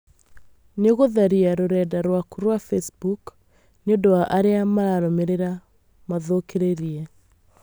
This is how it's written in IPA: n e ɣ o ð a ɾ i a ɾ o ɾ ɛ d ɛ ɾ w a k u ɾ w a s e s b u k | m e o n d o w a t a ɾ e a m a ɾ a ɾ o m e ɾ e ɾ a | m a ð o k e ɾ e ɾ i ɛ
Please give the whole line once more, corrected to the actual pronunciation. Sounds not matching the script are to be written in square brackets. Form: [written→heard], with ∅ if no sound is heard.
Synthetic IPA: n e ɣ o ð a ɾ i a ɾ o ɾ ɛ d [ɛ→a] ɾ w a k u ɾ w a [s→f] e s b u k | [m→n] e o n d o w a [t→ʔ] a ɾ e a m a ɾ a ɾ o m e ɾ e ɾ a | m a ð o k e ɾ e ɾ i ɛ

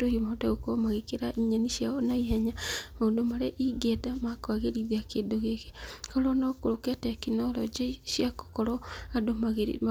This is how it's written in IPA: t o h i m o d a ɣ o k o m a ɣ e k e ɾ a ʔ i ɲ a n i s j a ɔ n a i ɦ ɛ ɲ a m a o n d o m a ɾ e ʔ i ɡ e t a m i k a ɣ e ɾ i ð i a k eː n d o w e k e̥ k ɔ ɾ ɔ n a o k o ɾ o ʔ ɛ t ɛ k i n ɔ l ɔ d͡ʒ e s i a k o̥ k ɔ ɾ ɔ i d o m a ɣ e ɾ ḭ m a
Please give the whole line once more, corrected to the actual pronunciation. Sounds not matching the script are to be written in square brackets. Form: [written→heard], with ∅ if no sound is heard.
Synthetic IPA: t o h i m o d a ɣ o k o m a ɣ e k e ɾ a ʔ i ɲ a n i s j a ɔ n a i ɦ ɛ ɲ a m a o n d o m a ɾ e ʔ i ɡ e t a m [i→a] k a ɣ e ɾ i ð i a k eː n d o [w→ɣ] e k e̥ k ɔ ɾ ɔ n a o k o ɾ o [ʔ→k] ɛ t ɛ k i n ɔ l ɔ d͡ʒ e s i a k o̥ k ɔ ɾ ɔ [i→a] d o m a ɣ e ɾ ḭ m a

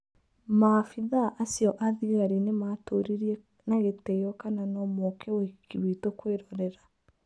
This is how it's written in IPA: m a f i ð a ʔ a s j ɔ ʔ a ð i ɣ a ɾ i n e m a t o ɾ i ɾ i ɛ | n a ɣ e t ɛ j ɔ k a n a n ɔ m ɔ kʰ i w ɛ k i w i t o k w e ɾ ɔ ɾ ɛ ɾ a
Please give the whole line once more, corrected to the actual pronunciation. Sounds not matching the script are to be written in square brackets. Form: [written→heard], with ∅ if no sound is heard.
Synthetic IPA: m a f i ð a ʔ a s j ɔ ʔ a ð i ɣ a ɾ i n e m a t o ɾ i ɾ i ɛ | n a ɣ e t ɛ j ɔ k a n a n ɔ m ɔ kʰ [i→ɛ] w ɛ k i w i t o k w e ɾ ɔ ɾ ɛ ɾ a

